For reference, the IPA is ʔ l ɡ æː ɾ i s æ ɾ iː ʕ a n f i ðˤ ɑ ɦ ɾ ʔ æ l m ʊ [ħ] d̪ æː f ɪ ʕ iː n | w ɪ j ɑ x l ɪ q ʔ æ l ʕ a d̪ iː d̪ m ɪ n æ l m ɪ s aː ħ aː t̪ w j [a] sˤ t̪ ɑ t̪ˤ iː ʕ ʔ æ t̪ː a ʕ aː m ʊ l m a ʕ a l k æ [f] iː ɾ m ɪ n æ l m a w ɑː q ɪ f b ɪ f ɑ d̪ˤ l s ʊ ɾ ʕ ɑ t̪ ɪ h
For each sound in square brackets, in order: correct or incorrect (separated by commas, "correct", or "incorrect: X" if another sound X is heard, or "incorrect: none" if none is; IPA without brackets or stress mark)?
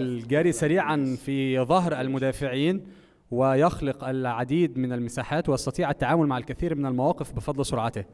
incorrect: none, incorrect: ɑ, incorrect: θ